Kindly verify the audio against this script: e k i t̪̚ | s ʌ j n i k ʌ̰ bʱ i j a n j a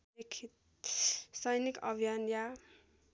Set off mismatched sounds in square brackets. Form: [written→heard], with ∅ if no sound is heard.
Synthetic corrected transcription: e [k→kʰ] i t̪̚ | s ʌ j n i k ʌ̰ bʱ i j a n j a